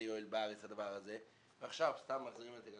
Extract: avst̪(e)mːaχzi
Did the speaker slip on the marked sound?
yes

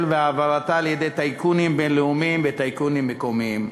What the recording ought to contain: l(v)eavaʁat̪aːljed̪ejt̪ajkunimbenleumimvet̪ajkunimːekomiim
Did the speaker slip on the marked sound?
no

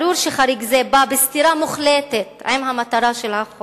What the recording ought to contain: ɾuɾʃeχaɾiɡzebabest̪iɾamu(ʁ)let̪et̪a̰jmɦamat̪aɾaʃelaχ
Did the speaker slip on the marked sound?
yes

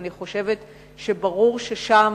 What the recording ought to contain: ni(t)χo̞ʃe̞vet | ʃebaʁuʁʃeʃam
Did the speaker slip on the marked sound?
yes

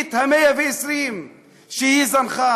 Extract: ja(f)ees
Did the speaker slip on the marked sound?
yes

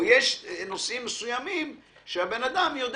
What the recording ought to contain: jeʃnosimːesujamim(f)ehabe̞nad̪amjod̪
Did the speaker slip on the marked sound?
yes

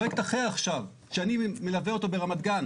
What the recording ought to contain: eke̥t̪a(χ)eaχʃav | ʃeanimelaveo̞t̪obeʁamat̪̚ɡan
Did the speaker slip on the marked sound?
no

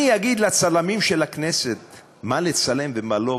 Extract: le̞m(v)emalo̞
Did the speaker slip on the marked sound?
no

